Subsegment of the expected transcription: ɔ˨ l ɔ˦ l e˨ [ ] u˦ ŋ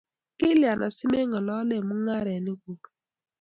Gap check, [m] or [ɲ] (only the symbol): m